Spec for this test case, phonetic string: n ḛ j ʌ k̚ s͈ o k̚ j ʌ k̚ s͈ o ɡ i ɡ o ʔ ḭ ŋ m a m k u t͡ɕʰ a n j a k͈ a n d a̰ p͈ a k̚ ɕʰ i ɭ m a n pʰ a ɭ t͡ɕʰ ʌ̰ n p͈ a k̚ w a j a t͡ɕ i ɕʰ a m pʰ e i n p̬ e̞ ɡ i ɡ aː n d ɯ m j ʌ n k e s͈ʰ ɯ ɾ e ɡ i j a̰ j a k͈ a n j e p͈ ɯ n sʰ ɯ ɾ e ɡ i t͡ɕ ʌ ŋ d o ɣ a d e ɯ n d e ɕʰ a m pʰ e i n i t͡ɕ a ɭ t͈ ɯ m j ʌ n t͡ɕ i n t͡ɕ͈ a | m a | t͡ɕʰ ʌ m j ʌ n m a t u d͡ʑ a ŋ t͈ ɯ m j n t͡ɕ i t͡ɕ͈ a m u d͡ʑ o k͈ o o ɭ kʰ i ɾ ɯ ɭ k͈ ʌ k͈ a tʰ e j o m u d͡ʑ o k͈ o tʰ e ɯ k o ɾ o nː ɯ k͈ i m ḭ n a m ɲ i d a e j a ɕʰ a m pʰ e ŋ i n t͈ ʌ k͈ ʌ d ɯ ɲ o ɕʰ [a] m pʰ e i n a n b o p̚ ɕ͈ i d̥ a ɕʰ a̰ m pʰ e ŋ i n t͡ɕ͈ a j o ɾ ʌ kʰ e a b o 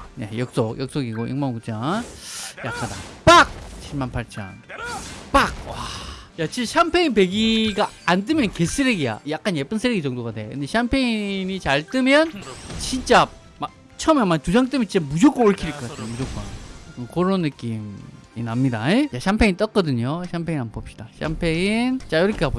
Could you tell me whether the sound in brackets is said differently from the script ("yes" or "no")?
no